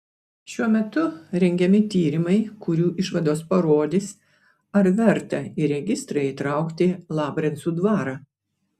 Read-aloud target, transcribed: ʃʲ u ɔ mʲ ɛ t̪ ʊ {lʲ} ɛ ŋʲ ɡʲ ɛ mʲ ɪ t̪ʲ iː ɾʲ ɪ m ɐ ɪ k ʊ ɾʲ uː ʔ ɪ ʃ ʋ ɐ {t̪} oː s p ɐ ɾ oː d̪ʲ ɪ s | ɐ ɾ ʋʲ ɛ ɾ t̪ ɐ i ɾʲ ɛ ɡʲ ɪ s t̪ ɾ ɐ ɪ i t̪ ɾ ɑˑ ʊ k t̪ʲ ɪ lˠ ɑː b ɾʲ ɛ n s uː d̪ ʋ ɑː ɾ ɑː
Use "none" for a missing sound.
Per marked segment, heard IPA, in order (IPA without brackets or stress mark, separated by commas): ɾʲ, d̪